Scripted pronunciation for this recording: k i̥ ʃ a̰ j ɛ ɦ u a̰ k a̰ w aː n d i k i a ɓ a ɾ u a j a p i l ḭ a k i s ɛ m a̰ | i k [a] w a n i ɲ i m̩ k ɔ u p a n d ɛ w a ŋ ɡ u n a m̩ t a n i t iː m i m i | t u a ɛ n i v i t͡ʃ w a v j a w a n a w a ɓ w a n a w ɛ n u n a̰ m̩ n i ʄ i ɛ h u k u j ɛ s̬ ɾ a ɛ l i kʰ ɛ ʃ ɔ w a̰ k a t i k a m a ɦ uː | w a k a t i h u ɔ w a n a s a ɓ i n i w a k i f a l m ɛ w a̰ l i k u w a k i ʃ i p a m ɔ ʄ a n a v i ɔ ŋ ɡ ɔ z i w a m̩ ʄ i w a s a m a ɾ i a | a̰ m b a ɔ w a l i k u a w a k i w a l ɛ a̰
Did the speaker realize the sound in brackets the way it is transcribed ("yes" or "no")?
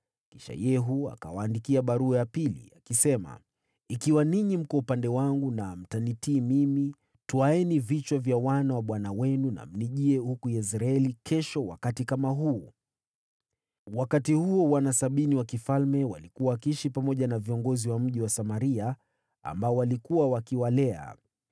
no